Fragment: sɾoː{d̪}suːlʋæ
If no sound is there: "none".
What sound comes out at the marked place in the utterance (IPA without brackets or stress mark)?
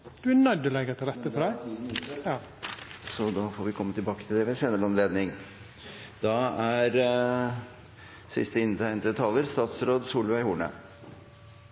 d̪